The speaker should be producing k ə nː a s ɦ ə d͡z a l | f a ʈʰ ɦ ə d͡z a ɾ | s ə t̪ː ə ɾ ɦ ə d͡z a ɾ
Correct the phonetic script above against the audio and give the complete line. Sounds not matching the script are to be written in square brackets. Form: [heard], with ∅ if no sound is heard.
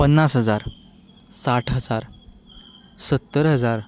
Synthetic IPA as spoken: [p] ə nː a s ɦ ə d͡z a [ɾ] | [s] a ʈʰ ɦ ə d͡z a ɾ | s ə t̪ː ə ɾ ɦ ə d͡z a ɾ